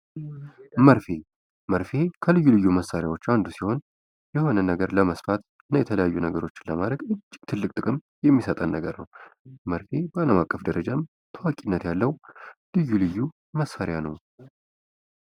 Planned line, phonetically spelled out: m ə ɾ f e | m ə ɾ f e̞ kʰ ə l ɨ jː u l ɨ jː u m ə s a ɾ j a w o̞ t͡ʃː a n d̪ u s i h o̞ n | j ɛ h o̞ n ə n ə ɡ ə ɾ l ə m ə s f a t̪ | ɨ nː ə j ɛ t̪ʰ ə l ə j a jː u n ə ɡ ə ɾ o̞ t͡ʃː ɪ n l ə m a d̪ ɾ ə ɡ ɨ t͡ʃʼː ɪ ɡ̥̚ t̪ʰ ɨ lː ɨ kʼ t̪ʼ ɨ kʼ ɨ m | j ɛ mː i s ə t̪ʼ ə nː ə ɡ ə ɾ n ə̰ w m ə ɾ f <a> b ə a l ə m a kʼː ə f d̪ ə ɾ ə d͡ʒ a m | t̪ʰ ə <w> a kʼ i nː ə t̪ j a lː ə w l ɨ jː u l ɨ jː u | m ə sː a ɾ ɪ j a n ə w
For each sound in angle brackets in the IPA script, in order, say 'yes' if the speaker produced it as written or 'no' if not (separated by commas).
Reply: no, yes